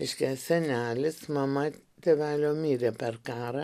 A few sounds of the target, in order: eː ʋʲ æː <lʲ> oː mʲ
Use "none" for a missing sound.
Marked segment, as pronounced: lʲ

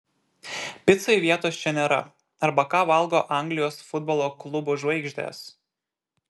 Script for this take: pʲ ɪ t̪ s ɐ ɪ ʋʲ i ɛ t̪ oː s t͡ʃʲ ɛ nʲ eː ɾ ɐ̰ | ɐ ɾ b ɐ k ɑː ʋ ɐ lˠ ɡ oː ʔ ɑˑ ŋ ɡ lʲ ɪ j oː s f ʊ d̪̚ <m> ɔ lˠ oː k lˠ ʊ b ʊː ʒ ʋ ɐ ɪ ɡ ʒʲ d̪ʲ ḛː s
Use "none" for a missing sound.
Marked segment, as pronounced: b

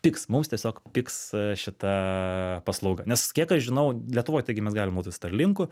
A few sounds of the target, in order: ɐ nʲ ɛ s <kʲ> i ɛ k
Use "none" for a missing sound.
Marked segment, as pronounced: kʲ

